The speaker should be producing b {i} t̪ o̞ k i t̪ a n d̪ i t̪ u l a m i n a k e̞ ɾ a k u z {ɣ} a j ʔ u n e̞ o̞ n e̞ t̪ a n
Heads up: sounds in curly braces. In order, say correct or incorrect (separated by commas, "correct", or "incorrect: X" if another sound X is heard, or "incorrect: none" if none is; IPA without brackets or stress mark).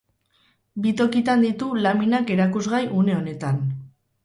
correct, correct